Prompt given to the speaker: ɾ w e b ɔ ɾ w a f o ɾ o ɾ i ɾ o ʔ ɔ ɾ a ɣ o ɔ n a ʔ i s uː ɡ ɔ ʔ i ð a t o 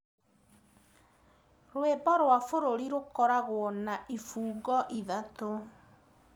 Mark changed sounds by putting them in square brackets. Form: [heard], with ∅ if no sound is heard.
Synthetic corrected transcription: ɾ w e b ɔ ɾ w a f o ɾ o ɾ i ɾ o [k] ɔ ɾ a ɣ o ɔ n a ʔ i [f] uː ɡ ɔ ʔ i ð a t o